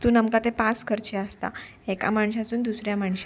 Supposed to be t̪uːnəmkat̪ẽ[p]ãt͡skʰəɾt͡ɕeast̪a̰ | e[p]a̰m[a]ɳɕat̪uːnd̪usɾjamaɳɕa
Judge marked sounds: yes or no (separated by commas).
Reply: yes, no, yes